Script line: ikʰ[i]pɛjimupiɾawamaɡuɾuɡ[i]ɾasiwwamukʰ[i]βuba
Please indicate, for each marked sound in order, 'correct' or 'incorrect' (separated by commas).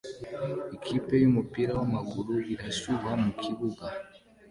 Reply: correct, correct, correct